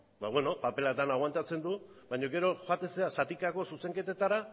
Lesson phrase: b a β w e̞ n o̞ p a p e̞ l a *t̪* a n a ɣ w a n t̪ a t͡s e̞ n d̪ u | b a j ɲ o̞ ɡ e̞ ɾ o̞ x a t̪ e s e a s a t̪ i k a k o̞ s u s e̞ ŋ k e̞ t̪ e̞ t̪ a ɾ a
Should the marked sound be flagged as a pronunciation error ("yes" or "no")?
no